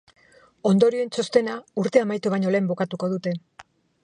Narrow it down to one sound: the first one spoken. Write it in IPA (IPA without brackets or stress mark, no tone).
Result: o̞